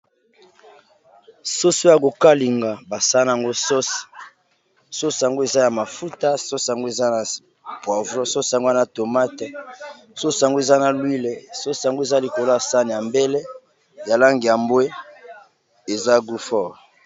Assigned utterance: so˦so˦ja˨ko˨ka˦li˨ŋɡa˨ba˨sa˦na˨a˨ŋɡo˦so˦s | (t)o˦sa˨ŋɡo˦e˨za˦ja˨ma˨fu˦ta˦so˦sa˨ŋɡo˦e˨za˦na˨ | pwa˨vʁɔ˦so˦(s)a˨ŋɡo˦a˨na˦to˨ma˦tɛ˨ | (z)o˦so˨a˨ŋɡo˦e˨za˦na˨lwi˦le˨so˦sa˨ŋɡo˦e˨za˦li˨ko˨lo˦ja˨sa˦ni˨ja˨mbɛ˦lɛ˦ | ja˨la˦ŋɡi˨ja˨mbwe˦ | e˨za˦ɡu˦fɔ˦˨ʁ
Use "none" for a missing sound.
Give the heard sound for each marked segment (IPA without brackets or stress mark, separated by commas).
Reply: s, s, s